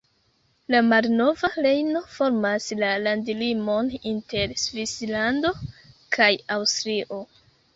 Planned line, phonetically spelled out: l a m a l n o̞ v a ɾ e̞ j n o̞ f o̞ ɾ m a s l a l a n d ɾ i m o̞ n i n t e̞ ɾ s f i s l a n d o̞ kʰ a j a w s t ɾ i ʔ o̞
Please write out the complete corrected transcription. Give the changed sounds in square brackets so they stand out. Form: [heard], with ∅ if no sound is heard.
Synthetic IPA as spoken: l a m a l n o̞ v a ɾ e̞ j n o̞ f o̞ ɾ m a s l a l a n d [l] i m o̞ n i n t e̞ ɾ s [v] i s l a n d o̞ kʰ a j a w s t ɾ i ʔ o̞